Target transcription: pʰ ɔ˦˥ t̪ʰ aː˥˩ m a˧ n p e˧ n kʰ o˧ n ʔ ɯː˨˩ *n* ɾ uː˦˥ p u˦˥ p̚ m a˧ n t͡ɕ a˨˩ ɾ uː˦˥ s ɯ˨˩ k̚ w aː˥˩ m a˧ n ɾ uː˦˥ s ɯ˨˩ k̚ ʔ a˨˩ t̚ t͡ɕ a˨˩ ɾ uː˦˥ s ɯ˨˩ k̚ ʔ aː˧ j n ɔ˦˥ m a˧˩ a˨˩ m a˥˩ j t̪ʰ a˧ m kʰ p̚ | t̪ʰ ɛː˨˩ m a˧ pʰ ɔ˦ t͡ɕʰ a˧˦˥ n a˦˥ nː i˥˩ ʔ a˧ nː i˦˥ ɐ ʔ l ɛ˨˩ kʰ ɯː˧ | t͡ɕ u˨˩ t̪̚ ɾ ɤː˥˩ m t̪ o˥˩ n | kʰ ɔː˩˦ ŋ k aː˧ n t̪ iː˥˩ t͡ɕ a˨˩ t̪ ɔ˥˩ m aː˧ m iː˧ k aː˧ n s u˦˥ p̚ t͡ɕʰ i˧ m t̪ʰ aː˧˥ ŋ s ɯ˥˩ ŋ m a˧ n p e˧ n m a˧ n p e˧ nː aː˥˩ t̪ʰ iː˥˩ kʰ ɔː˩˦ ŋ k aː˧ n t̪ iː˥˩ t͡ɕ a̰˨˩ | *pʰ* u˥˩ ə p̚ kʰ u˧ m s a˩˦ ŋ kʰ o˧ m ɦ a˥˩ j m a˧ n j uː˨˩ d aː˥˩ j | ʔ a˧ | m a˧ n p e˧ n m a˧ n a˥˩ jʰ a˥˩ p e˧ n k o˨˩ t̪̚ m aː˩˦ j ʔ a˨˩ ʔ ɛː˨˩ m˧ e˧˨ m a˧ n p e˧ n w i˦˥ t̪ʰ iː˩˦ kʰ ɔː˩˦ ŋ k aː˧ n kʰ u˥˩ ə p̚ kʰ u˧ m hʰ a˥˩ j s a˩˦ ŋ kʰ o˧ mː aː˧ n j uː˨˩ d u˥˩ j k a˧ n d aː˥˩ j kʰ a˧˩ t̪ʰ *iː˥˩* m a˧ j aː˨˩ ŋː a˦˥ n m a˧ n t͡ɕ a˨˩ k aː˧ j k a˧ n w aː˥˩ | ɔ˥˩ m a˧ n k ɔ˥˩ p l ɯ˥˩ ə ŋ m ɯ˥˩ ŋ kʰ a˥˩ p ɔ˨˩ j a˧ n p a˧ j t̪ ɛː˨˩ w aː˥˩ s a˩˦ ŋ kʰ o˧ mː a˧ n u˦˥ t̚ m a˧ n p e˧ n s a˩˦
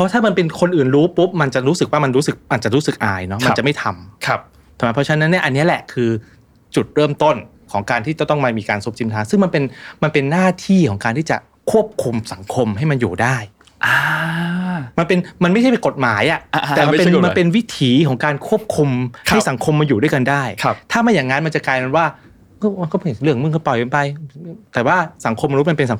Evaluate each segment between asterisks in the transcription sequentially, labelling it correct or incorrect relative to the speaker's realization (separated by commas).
correct, incorrect, incorrect